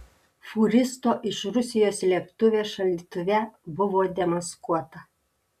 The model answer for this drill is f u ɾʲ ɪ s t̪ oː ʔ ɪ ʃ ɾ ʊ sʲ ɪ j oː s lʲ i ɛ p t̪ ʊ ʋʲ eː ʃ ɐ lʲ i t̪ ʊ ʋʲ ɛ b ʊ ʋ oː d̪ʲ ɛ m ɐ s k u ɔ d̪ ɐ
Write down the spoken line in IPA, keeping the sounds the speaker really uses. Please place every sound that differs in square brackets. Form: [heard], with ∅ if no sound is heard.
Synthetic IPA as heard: f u ɾʲ ɪ s t̪ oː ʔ ɪ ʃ ɾ ʊ sʲ ɪ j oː s lʲ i ɛ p t̪ ʊ ʋʲ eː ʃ ɐ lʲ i t̪ ʊ ʋʲ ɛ b ʊ ʋ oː d̪ʲ ɛ m ɐ s k u ɔ [t̪] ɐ